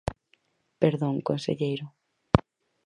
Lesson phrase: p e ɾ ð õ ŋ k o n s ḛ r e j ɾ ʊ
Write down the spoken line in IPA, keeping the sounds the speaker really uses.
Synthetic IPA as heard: p e ɾ ð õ ŋ k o n s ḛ ʎ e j ɾ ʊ